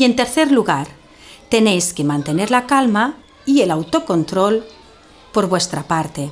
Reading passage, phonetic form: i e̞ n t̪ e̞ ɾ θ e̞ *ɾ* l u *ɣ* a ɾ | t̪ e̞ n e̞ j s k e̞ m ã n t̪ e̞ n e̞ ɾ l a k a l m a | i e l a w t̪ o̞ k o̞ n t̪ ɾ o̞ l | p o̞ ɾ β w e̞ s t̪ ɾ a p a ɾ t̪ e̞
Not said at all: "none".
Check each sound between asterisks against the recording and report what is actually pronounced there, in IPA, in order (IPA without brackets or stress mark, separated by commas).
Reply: ɾ, ɣ